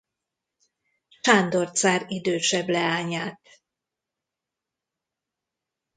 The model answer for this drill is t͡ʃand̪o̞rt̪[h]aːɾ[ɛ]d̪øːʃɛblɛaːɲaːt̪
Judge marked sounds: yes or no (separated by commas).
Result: no, no